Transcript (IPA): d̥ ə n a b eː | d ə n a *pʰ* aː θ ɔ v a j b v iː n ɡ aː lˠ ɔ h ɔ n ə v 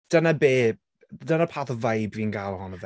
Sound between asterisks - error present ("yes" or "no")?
no